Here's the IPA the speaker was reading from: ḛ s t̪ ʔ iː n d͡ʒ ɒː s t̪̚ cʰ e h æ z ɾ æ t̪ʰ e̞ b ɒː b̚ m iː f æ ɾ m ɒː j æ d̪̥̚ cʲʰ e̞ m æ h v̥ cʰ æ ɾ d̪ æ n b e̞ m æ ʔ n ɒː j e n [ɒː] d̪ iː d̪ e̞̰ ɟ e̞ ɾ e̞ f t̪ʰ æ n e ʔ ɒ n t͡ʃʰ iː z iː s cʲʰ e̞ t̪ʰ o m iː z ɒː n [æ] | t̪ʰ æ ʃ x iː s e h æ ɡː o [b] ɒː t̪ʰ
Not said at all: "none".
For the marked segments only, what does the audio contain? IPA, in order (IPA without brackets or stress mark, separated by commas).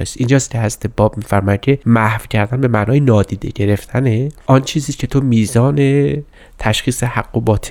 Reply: ɒː, e, b